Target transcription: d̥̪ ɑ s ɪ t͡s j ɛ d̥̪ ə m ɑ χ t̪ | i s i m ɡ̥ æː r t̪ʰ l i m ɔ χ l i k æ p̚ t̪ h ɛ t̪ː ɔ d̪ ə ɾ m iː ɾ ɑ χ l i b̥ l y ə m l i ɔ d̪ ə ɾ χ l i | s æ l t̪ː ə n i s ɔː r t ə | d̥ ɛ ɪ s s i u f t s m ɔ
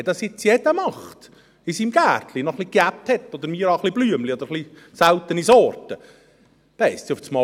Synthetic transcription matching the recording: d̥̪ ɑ s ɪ t͡s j ɛ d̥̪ ə m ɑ χ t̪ | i s i m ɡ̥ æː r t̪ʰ l i n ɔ χ l i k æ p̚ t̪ h ɛ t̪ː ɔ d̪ ə ɾ m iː ɾ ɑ χ l i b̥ l y ə m l i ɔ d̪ ə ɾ χ l i | s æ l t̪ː ə n i s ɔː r t ə | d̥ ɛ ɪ s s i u f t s m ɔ